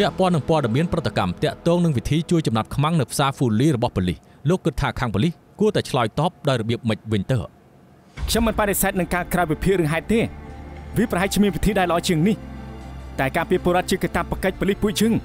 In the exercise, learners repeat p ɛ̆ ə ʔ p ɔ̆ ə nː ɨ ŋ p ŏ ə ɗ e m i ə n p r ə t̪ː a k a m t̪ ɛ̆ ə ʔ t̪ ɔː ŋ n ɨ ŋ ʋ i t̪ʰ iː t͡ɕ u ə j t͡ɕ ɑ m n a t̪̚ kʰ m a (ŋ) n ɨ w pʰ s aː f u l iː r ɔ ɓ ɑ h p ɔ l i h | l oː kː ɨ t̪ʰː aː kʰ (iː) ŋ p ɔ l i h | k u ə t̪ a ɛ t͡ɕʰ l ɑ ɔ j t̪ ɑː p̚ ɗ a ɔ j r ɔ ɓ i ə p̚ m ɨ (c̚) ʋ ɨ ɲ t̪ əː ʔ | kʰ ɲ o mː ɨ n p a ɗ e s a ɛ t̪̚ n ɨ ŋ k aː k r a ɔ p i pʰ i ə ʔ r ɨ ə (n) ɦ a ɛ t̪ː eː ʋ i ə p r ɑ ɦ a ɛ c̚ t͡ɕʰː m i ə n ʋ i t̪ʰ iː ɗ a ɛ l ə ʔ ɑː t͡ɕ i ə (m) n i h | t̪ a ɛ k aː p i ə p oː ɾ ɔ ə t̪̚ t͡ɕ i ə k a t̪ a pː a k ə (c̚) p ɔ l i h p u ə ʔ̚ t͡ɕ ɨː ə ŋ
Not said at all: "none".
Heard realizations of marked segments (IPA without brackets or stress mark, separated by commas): ŋ, aː, c̚, ŋ, ŋ, c̚